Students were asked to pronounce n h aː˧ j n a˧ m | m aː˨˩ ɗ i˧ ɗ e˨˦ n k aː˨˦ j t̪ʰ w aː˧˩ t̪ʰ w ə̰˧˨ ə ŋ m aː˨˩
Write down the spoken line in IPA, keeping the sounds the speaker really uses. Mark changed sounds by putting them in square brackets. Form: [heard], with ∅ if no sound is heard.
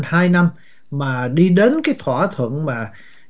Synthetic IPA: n h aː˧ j n a˧ m | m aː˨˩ ɗ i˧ ɗ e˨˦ n k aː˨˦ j t̪ʰ w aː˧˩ t̪ʰ w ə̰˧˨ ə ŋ m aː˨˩

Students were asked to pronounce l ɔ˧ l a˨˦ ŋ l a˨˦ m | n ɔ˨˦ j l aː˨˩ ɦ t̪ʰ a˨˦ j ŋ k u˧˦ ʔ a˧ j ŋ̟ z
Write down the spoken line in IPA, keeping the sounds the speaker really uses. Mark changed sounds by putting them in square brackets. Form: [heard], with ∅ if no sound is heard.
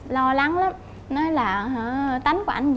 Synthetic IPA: l ɔ˧ l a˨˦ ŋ l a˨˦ m | n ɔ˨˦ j l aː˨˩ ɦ [t̪] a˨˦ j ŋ k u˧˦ ʔ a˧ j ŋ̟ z

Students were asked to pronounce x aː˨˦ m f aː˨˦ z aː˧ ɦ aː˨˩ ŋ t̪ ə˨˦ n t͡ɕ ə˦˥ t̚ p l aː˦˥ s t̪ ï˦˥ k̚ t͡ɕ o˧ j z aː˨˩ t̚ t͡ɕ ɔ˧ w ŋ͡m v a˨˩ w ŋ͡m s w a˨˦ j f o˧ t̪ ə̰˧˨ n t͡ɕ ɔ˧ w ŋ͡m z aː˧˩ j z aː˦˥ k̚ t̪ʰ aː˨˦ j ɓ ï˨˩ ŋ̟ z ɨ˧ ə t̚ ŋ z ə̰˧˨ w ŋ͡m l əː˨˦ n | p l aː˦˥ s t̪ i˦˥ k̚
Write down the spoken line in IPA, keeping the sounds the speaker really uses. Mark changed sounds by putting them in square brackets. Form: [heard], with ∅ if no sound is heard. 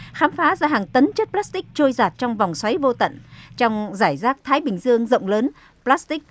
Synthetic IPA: x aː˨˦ m f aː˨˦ z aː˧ ɦ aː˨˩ ŋ t̪ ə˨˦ n t͡ɕ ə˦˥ t̚ p l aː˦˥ s t̪ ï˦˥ k̚ t͡ɕ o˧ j z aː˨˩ t̚ t͡ɕ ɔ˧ w ŋ͡m v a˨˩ w ŋ͡m s w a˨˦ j [v] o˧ t̪ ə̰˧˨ n t͡ɕ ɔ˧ w ŋ͡m z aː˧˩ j z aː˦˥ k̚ t̪ʰ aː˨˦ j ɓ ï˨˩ ŋ̟ z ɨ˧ ə [∅] ŋ z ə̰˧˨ w ŋ͡m l əː˨˦ n | p l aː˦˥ s t̪ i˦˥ k̚

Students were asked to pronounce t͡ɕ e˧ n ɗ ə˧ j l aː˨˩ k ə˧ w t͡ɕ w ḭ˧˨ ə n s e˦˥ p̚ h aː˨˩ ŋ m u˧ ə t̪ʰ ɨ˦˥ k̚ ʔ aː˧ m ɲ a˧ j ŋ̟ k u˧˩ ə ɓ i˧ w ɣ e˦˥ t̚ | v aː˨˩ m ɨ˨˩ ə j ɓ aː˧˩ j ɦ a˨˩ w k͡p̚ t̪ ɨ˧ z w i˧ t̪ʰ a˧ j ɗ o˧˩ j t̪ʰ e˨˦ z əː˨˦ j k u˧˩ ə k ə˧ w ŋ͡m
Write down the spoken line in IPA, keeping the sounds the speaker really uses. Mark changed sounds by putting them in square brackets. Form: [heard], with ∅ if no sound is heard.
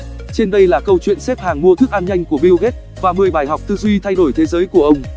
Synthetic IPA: t͡ɕ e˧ n ɗ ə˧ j l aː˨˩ k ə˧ w t͡ɕ w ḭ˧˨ ə n s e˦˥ p̚ h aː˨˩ ŋ m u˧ ə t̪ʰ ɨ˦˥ k̚ ʔ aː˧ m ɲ a˧ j ŋ̟ k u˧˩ ə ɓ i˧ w ɣ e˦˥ t̚ | v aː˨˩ m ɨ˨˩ ə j ɓ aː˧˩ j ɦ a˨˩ w k͡p̚ t̪ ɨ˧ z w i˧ t̪ʰ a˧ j ɗ o˧˩ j t̪ʰ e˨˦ z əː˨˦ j k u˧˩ ə [ʔ] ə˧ w ŋ͡m

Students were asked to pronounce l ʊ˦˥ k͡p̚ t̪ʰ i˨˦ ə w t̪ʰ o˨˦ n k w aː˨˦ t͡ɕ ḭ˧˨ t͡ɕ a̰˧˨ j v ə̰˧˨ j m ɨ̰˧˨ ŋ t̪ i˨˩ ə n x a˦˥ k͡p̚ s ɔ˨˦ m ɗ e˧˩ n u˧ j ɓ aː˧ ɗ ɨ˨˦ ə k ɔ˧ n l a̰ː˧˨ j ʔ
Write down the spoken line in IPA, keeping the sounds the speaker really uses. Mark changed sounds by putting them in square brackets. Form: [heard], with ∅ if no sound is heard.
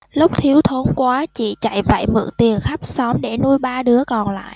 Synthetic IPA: l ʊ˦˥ k͡p̚ t̪ʰ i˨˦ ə w t̪ʰ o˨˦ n k w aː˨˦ t͡ɕ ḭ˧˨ t͡ɕ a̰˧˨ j v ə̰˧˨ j m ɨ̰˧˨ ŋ t̪ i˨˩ ə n x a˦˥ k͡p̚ s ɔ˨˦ m ɗ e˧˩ n u˧ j ɓ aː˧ ɗ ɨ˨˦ ə k [ɔ˨˩] n l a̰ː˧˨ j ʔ

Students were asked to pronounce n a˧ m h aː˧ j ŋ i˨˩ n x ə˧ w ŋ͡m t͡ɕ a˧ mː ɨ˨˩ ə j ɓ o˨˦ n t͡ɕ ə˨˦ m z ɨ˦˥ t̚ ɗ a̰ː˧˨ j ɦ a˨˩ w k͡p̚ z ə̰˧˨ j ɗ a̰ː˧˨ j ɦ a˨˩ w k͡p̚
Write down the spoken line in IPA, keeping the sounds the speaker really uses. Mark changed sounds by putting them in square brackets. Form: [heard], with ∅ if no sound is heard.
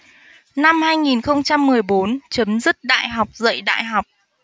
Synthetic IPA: n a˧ m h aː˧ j ŋ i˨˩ n x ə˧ w ŋ͡m t͡ɕ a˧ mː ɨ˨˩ ə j ɓ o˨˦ n t͡ɕ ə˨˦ m z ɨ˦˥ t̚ ɗ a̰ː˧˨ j ɦ a˨˩ w k͡p̚ z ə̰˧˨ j ɗ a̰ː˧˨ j ɦ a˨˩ w k͡p̚

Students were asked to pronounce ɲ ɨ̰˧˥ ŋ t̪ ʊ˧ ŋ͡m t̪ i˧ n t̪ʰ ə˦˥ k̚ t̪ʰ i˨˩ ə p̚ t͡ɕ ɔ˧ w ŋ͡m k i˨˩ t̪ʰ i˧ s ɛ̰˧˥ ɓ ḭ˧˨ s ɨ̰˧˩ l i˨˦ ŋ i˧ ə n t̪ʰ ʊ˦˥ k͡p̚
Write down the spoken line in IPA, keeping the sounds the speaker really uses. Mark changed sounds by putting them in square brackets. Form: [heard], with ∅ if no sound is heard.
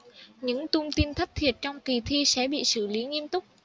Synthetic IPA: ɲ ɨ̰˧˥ ŋ t̪ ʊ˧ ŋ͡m t̪ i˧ n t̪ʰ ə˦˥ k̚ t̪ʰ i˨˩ ə [t̚] t͡ɕ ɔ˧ w ŋ͡m k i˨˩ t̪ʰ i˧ s ɛ̰˧˥ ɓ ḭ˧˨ s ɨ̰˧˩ l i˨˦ ŋ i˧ ə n [t̪] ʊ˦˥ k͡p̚

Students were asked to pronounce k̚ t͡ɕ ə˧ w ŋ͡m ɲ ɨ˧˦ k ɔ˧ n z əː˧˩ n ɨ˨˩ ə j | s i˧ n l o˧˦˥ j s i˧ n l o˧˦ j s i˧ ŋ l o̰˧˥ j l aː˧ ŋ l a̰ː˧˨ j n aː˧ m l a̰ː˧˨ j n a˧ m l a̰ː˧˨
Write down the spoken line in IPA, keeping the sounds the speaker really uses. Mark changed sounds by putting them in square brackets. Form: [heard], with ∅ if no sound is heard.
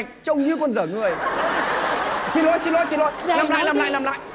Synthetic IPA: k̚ t͡ɕ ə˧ w ŋ͡m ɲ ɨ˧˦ k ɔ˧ n z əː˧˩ [ŋ] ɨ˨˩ ə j | s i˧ n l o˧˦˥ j s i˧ n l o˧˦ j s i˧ [n] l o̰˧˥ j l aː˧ [m] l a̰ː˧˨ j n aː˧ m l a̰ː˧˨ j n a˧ m l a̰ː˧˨

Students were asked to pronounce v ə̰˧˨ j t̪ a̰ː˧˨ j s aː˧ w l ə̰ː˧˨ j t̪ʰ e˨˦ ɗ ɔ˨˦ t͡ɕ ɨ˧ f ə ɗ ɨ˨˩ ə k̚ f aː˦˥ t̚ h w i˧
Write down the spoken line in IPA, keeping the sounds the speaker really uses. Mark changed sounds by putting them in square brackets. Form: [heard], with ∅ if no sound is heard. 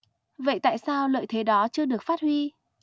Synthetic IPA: v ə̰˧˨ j t̪ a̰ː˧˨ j s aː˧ w l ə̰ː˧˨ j t̪ʰ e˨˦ ɗ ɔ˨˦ t͡ɕ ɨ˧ [∅] ə ɗ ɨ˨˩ ə k̚ f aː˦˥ t̚ h w i˧

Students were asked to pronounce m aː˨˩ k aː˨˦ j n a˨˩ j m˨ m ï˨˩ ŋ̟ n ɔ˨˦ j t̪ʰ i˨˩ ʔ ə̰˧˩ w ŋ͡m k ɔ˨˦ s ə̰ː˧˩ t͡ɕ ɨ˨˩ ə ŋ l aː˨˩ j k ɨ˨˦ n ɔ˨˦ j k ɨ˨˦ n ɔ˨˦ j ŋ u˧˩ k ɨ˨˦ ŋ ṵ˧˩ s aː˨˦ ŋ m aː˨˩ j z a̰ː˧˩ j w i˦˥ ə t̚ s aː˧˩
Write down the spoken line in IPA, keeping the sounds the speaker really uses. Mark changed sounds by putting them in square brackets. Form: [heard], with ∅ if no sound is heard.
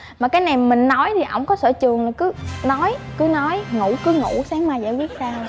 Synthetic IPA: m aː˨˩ k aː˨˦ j n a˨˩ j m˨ m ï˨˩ ŋ̟ n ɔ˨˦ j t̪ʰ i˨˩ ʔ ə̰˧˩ w ŋ͡m k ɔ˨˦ s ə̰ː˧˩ t͡ɕ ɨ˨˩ ə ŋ l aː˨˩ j k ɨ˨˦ n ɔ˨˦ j k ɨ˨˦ n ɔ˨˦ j ŋ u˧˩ k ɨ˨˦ ŋ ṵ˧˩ s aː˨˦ ŋ m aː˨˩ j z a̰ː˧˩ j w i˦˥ ə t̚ s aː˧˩

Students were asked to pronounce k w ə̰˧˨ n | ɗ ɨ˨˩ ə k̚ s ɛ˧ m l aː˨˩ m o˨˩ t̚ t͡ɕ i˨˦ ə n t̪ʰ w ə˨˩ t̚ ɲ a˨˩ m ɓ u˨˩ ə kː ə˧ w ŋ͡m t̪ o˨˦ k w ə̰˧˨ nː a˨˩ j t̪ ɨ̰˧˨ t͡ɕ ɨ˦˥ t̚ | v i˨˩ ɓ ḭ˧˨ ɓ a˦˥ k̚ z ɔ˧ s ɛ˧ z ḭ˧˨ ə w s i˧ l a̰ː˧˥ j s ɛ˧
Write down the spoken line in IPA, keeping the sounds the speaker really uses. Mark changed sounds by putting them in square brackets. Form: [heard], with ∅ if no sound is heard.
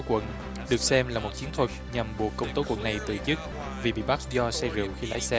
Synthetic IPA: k w ə̰˧˨ n | ɗ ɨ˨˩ ə k̚ s ɛ˧ m l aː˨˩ m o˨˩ t̚ t͡ɕ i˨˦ ə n t̪ʰ w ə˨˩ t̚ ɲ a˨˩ m ɓ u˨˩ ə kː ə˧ w ŋ͡m t̪ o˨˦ k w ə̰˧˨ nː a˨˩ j t̪ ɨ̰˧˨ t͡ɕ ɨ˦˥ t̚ | v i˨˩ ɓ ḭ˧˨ ɓ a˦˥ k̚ z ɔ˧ s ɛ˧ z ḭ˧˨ ə w [x] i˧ l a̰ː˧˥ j s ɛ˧

